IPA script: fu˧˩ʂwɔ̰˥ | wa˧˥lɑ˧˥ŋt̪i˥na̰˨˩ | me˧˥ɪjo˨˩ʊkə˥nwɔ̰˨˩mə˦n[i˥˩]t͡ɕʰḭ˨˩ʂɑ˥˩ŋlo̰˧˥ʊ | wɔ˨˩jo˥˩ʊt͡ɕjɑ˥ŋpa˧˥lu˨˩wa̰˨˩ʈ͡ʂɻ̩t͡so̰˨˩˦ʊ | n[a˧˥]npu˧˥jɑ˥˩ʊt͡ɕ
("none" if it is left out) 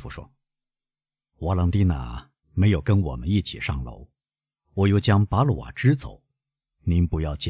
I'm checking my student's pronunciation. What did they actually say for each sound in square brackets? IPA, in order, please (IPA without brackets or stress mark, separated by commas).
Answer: i˥˩, i˧˥